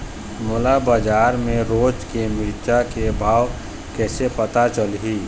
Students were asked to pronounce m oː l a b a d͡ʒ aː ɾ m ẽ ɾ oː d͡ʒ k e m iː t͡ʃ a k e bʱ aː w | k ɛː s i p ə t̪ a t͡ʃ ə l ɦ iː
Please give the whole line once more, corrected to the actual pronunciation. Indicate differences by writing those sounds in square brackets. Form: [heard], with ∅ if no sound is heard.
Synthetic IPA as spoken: m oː l a b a d͡ʒ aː ɾ m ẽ ɾ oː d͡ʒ k e m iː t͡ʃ a k e bʱ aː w | k ɛː s [e] p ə t̪ a t͡ʃ ə l ɦ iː